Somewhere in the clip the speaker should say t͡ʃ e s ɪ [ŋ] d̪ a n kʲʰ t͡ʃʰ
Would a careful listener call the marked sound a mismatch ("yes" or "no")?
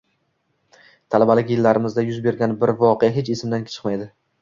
yes